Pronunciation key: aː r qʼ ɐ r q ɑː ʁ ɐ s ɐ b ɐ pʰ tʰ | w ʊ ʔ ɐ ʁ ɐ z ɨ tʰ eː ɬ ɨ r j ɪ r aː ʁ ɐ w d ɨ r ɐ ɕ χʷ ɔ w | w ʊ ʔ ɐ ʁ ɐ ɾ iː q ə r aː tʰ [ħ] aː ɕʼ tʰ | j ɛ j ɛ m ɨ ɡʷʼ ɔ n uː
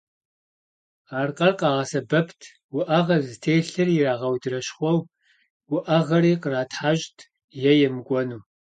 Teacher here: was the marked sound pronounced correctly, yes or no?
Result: yes